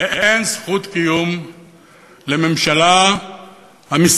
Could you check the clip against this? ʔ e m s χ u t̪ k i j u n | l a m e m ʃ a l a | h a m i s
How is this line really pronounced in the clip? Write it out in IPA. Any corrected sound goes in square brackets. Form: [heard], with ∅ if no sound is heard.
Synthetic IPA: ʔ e [n] s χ u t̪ k i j u [m] | l [e] m e m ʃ a l a | h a m i s